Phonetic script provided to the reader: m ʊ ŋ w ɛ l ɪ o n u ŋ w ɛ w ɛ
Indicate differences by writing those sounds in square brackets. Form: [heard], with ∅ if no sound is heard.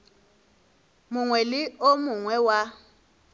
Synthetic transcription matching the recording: m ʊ ŋ w ɛ l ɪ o [m] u ŋ w ɛ w [a]

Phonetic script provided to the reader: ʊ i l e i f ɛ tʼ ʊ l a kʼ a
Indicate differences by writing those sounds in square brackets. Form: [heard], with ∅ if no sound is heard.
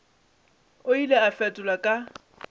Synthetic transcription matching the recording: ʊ i l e [a] f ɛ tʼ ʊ l a kʼ a

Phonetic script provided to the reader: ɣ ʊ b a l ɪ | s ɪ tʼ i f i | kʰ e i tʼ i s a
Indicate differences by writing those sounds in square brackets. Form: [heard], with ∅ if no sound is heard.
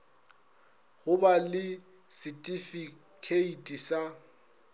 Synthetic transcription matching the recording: ɣ ʊ b a l ɪ | s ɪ tʼ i f i | kʰ e i tʼ i s a

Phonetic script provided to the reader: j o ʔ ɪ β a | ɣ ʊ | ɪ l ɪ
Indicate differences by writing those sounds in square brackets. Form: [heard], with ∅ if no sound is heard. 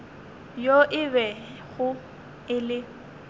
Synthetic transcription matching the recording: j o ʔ ɪ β [ɛ] | ɣ ʊ | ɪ l ɪ

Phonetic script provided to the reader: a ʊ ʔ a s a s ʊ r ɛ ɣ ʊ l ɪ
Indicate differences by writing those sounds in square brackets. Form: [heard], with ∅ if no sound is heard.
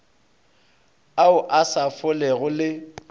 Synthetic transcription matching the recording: a ʊ ʔ a s a [f] ʊ [l] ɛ ɣ ʊ l ɪ

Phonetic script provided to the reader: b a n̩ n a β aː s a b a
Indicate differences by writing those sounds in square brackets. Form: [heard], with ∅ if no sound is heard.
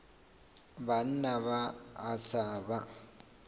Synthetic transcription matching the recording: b a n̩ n a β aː s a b a

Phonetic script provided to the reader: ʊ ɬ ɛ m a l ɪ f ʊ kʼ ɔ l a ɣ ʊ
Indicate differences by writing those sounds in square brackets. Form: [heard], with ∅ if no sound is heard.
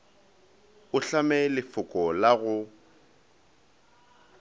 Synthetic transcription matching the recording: ʊ ɬ [a] m [ɛ] l ɪ f ʊ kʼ ɔ l a ɣ ʊ

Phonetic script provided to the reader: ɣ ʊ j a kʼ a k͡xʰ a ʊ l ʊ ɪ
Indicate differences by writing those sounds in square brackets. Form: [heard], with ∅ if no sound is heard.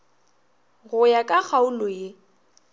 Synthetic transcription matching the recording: ɣ ʊ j a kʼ a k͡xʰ a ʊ l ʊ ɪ

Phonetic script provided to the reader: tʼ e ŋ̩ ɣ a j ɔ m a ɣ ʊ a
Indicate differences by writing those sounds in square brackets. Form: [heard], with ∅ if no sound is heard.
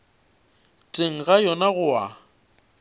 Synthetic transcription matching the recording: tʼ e ŋ̩ ɣ a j ɔ [n] a ɣ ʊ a

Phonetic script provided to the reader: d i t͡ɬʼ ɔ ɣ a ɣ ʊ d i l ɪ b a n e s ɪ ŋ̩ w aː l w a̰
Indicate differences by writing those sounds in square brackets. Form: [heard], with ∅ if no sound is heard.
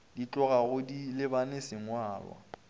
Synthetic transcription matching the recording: d i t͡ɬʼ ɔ ɣ a ɣ ʊ d i l ɪ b a n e s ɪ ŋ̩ w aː l w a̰

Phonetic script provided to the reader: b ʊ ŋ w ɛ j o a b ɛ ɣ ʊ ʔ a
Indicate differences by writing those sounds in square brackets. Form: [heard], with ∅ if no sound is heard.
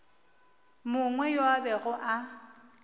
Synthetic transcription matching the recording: [m] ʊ ŋ w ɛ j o a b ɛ ɣ ʊ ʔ a

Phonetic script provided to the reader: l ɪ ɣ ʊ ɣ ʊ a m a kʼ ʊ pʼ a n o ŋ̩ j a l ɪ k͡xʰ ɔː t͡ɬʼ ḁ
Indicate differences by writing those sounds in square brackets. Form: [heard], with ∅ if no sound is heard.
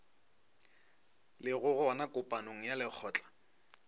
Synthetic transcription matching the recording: l ɪ ɣ ʊ ɣ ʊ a [n] a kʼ ʊ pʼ a n o ŋ̩ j a l ɪ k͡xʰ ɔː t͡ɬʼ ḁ

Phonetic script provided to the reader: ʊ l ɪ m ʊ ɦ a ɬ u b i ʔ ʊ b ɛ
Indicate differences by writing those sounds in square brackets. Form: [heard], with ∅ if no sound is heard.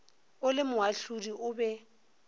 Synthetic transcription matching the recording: ʊ l ɪ m ʊ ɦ a ɬ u [d] i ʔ ʊ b ɛ

